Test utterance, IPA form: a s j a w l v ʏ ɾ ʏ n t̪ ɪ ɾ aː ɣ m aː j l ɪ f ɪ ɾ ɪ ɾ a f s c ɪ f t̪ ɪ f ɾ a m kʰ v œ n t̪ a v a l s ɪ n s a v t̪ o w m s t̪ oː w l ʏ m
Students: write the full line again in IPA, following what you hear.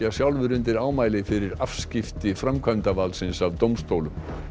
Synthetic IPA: a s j a w l v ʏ ɾ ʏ n t̪ ɪ ɾ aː w m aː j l ɪ f ɪ ɾ ɪ ɾ a f s c ɪ f t̪ ɪ f ɾ a m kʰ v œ n t̪ a v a l s ɪ n s a v t̪ o w m s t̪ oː w l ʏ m